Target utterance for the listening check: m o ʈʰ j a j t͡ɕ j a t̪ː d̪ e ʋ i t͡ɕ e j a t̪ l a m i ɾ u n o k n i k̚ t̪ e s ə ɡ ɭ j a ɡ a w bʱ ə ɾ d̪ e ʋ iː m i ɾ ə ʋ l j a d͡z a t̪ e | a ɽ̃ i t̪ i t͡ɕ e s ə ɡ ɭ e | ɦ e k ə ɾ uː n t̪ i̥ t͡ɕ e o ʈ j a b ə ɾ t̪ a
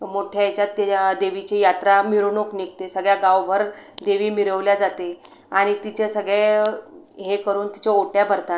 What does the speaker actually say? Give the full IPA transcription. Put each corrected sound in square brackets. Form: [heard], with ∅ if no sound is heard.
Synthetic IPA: m o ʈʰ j a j t͡ɕ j a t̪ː d̪ e ʋ i t͡ɕ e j a t̪ [ɾ] a m i ɾ u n o k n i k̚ t̪ e s ə ɡ ɭ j a ɡ a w bʱ ə ɾ d̪ e ʋ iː m i ɾ ə ʋ l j a d͡z a t̪ e | a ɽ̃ i t̪ i t͡ɕ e s ə ɡ ɭ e | ɦ e k ə ɾ uː n t̪ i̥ t͡ɕ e o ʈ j a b ə ɾ t̪ a